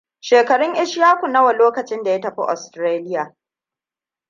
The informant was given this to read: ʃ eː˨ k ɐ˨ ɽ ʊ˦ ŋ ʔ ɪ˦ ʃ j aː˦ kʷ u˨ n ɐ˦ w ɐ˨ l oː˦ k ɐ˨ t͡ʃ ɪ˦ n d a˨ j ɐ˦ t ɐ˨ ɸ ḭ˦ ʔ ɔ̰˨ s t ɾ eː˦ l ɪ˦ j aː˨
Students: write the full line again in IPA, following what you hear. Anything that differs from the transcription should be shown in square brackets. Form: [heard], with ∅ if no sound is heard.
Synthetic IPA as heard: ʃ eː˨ k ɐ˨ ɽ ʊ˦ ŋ ʔ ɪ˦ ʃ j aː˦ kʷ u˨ n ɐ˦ w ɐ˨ l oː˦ k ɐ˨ t͡ʃ ɪ˦ n d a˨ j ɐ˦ t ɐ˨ ɸ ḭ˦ ʔ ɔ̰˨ s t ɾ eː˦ l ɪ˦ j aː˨